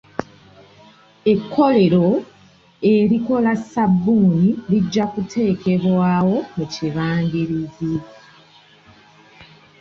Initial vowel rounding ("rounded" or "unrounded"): unrounded